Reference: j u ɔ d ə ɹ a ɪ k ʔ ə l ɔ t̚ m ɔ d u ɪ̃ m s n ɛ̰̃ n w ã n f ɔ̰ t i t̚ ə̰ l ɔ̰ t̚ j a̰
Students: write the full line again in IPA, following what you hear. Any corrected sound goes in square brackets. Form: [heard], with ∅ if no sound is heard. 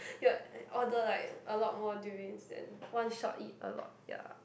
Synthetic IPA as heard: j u ɔ d ə [l] a ɪ k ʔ ə l ɔ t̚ m ɔ d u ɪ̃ [ŋ] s [d] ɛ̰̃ n w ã n [ʃ] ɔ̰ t i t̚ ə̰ l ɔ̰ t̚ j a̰